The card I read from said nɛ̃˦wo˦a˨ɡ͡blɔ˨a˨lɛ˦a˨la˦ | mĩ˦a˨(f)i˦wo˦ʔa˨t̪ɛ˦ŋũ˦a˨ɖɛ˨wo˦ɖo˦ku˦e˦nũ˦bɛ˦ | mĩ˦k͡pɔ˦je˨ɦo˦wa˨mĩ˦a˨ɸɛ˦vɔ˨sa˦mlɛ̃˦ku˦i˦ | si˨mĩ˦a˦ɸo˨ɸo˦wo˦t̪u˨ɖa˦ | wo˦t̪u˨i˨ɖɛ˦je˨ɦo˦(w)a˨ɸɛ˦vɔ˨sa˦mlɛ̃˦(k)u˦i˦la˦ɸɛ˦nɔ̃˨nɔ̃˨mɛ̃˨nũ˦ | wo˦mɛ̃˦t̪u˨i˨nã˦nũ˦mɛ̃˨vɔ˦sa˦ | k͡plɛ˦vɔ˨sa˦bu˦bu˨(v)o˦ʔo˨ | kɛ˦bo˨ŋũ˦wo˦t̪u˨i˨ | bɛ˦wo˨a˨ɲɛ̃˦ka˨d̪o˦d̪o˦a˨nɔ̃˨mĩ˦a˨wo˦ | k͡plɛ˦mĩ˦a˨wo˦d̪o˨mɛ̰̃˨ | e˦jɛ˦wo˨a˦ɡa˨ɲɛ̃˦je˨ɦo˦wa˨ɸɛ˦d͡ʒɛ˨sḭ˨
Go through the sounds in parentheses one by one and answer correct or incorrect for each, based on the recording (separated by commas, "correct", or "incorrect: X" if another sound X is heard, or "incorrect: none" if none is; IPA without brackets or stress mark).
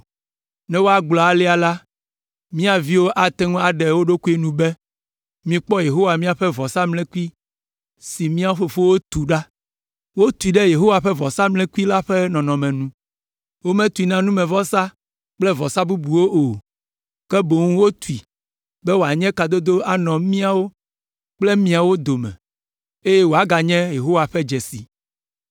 incorrect: v, correct, correct, incorrect: w